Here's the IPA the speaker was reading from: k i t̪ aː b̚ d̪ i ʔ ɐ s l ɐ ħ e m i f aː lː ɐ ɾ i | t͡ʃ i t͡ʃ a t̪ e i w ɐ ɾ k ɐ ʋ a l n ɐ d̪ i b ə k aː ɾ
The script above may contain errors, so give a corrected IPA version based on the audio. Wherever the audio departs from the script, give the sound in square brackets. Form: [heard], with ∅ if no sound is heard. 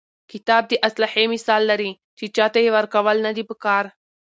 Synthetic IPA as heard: k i t̪ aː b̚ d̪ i ʔ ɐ s l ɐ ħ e m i [s] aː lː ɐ ɾ i | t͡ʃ i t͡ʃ a t̪ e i [ʋ] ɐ ɾ k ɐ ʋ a l n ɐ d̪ i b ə k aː ɾ